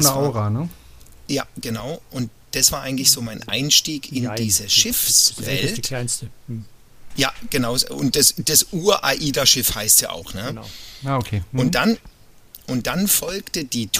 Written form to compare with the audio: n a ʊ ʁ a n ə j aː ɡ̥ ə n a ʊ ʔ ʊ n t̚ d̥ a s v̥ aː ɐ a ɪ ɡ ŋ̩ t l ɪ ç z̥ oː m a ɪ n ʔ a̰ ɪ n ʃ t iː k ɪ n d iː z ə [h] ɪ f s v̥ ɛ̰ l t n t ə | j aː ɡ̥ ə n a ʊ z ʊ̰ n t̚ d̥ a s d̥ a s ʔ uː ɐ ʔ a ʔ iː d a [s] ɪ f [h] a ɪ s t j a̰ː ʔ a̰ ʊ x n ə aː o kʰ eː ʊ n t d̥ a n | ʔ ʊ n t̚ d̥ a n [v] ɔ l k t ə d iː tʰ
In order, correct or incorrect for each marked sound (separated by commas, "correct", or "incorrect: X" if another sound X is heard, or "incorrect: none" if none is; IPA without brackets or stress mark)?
incorrect: ʃ, incorrect: ʃ, correct, incorrect: f